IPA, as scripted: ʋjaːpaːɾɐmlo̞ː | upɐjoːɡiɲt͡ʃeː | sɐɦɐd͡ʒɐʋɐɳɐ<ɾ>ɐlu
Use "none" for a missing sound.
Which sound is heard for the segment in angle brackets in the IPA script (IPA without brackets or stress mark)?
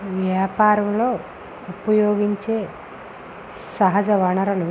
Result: ɾ